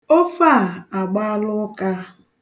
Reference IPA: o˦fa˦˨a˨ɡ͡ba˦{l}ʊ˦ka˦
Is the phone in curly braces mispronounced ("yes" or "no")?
no